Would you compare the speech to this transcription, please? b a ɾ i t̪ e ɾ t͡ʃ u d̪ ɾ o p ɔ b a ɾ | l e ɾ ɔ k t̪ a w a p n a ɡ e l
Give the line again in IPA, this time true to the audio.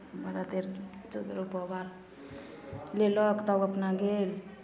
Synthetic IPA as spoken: b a ɾ a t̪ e ɾ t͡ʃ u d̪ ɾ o p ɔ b a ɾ | l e l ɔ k t̪ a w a p n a ɡ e l